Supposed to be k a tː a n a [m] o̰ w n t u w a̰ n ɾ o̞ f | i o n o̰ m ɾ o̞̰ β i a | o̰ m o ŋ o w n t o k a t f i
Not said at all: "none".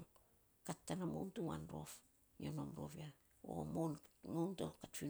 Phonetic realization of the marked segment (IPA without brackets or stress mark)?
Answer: m